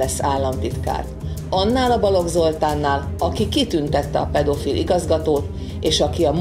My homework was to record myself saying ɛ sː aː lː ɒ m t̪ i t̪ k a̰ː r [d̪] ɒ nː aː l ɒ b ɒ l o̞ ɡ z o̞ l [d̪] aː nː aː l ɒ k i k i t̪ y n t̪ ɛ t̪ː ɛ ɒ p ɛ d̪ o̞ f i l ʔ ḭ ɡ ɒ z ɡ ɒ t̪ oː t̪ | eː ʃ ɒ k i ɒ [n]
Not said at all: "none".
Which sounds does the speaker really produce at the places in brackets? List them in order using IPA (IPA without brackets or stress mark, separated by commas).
t̪, t̪, m